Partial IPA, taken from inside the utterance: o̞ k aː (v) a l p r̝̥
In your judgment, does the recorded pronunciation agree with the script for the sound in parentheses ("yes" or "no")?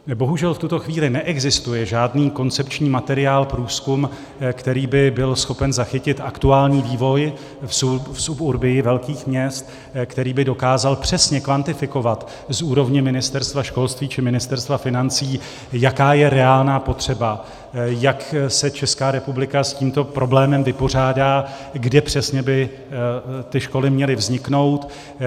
no